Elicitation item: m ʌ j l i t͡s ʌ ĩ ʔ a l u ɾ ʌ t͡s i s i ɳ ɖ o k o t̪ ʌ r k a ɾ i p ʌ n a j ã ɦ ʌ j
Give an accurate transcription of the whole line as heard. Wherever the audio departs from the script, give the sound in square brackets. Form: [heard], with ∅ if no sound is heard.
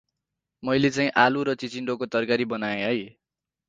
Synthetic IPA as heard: m ʌ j l [e] t͡s [a] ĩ ʔ a l u ɾ ʌ t͡s i [t͡s] i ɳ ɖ o k o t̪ ʌ r k a ɾ i [b] ʌ n a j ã ɦ ʌ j